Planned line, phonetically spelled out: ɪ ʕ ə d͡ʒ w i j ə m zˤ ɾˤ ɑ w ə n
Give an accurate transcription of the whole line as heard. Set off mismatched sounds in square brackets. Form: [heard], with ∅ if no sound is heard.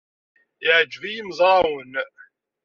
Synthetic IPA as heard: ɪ ʕ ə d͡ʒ [v] i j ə m zˤ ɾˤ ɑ w ə n